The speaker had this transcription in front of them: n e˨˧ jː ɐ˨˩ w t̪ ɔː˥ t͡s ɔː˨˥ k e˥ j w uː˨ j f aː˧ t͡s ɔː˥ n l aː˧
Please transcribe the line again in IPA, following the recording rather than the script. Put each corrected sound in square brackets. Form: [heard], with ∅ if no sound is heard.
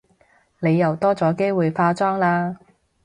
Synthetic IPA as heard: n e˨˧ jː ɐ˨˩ w t̪ ɔː˥ t͡s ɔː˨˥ k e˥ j w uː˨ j f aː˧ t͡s ɔː˥ [ŋ] l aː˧